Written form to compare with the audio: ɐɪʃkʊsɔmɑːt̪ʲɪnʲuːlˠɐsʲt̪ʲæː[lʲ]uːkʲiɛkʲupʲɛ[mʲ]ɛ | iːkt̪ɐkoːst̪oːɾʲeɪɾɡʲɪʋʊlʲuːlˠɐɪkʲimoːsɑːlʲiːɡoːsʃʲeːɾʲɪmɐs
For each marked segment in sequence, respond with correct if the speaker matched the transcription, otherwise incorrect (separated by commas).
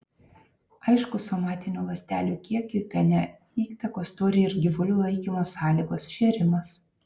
correct, incorrect